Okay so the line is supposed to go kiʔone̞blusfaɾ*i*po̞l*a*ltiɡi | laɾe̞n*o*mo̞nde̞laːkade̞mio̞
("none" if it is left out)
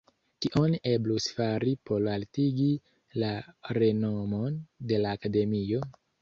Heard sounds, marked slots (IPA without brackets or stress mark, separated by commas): i, a, o